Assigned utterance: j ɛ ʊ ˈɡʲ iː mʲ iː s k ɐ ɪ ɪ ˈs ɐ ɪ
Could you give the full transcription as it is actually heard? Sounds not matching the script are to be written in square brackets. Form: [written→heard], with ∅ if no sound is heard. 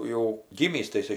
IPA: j ɛ ʊ ˈɡʲ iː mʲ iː s [k→t] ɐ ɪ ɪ ˈs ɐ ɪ